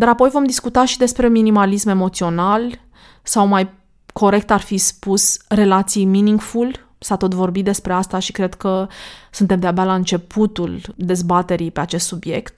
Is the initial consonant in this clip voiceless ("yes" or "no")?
no